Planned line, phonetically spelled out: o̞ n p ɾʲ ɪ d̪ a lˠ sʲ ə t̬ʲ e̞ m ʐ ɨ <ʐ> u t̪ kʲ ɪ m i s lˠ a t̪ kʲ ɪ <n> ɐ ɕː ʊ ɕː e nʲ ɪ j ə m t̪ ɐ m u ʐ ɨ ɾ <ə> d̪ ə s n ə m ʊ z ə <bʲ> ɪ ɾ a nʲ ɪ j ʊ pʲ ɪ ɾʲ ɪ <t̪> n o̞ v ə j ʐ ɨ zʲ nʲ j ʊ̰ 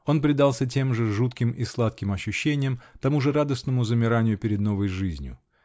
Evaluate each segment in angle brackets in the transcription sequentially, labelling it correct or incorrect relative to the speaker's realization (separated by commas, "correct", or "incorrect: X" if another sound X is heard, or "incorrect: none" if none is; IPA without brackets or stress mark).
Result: correct, incorrect: m, incorrect: a, incorrect: mʲ, incorrect: d̪